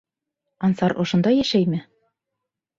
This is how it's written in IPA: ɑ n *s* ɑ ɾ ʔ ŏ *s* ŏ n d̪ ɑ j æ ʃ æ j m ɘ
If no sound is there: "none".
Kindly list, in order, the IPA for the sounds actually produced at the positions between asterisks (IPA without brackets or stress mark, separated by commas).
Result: s, ʃ